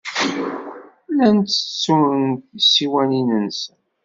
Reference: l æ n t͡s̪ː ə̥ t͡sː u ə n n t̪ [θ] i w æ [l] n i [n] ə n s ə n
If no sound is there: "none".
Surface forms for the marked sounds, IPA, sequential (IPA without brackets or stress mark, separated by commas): s, none, n